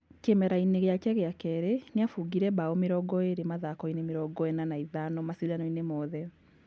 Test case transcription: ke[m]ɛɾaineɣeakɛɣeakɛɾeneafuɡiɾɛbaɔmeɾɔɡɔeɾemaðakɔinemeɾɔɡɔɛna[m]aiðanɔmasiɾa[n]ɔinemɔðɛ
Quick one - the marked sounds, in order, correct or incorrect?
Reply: correct, incorrect: n, correct

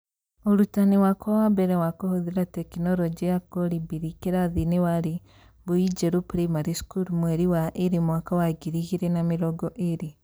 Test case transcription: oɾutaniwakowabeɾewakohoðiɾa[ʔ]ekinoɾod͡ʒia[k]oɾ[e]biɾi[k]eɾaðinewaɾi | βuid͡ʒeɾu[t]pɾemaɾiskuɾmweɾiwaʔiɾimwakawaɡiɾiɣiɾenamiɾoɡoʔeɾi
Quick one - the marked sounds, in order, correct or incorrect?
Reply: incorrect: t, correct, incorrect: i, correct, incorrect: none

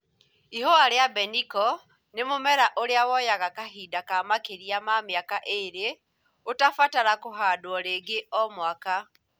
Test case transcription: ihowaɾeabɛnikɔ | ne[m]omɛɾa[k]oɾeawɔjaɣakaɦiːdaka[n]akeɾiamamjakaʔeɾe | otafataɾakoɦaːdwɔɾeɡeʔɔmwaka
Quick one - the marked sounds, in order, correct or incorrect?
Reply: correct, incorrect: ʔ, incorrect: m

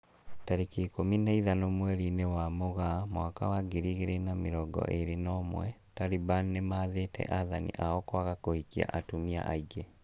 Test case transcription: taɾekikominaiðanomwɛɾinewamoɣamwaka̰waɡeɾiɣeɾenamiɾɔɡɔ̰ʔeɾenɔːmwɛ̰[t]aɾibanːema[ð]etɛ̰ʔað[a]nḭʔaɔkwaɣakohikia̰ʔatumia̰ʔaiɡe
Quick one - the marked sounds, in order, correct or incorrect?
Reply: correct, correct, correct

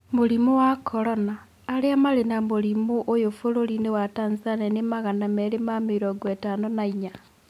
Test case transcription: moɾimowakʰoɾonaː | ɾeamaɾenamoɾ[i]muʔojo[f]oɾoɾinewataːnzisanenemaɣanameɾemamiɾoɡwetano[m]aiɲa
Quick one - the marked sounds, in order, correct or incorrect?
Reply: correct, correct, incorrect: n

